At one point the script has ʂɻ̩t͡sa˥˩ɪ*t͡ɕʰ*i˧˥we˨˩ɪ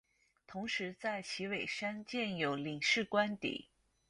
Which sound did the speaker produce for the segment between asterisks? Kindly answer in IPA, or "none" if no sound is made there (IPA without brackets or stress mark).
t͡ɕʰ